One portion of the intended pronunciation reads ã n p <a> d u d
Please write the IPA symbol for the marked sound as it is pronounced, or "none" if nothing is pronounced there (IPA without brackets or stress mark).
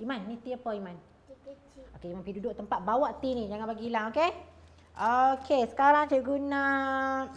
i